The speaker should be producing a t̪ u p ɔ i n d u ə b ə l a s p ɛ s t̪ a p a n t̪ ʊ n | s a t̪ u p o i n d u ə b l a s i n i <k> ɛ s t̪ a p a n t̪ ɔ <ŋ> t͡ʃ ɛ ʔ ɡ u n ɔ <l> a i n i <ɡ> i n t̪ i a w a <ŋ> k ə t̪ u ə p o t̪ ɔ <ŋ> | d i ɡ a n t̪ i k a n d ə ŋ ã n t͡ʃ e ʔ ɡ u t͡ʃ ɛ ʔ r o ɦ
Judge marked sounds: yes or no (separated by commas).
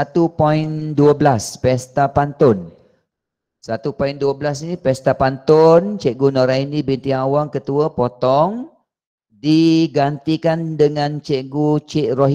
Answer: no, no, no, no, yes, yes